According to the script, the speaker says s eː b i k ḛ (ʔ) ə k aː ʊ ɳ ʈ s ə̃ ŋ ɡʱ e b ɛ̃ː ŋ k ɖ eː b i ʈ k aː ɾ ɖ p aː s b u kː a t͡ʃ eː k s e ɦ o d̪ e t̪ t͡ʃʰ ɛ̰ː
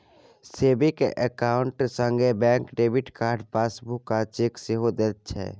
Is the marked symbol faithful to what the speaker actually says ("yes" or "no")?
yes